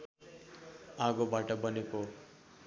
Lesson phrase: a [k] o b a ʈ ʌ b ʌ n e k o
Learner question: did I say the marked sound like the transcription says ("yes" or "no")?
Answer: no